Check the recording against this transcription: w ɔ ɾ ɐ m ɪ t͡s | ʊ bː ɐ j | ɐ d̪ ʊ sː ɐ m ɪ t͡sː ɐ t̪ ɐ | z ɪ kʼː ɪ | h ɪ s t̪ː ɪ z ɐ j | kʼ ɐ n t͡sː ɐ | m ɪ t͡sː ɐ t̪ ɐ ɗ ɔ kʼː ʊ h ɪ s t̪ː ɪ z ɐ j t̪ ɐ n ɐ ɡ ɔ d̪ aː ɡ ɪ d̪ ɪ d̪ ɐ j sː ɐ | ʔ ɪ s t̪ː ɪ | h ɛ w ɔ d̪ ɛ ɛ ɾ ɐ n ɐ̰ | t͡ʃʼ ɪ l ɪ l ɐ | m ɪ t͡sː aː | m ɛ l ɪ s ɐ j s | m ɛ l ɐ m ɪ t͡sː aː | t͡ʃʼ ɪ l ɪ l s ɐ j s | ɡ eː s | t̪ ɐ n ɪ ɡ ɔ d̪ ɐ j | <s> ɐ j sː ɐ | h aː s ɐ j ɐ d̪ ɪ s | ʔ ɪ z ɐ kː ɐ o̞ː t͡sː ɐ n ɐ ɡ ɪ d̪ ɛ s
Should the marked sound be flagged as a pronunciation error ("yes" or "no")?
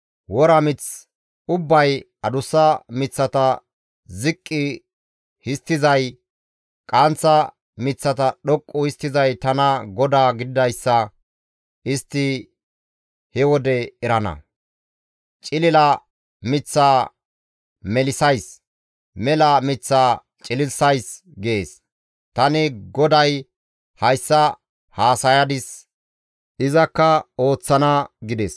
yes